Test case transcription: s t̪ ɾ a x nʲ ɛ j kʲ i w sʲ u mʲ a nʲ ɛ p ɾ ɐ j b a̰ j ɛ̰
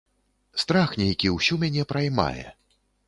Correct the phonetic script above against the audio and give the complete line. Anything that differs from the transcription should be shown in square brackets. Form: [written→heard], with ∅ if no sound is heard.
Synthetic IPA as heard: s t̪ ɾ a x nʲ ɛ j kʲ i w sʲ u mʲ a nʲ ɛ p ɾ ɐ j [b→m] a̰ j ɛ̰